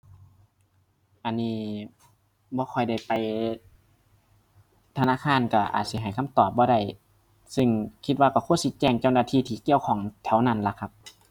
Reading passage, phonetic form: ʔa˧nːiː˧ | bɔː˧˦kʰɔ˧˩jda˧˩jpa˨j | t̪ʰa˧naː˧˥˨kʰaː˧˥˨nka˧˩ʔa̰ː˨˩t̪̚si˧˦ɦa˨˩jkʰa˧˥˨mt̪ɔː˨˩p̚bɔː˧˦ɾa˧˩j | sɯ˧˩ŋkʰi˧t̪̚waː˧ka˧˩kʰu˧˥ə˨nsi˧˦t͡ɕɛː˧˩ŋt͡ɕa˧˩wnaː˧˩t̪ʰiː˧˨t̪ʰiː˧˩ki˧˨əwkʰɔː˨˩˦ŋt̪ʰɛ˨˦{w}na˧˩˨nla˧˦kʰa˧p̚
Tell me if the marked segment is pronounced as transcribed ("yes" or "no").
yes